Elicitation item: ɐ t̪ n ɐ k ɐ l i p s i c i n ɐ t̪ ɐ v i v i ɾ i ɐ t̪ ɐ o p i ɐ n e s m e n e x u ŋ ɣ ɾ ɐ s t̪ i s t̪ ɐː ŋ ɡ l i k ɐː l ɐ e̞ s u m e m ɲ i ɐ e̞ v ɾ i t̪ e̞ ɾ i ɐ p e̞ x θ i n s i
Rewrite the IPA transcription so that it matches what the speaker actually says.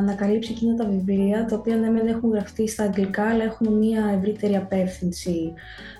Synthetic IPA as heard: ɐ n ɐ k ɐ l i p s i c i n ɐ t̪ ɐ v i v i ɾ i ɐ t̪ ɐ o p i ɐ n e m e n e x u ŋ ɣ ɾ ɐ f t̪ i s t̪ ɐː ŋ ɡ l i k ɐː l ɐ e̞ x u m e m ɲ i ɐ e̞ v ɾ i t̪ e̞ ɾ i ɐ p e̞ f θ i n s i